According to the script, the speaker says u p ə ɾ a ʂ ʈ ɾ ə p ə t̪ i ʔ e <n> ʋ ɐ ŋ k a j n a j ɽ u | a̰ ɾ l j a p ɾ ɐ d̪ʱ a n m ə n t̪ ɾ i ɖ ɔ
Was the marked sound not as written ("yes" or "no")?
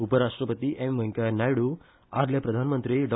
yes